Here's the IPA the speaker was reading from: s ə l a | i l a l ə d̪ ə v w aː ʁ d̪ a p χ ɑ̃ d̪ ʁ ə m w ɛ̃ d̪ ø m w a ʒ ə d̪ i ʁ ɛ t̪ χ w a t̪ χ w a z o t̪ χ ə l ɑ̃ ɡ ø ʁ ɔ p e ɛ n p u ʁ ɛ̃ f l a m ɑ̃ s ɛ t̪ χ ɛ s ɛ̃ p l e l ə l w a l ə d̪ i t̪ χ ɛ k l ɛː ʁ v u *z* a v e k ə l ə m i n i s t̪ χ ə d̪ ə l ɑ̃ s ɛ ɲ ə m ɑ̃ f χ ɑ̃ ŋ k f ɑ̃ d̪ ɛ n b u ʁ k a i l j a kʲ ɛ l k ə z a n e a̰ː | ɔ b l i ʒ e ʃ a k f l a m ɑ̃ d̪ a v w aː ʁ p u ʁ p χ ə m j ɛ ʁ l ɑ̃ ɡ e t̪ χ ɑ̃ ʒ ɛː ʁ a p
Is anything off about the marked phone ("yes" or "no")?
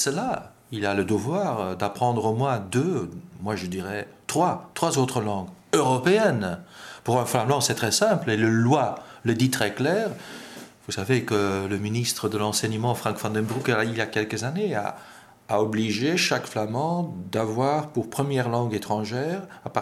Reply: yes